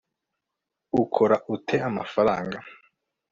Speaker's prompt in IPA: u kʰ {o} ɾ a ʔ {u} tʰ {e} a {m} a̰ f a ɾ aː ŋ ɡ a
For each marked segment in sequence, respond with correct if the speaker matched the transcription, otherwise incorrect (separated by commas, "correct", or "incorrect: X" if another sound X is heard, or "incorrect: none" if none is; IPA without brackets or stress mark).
correct, correct, correct, correct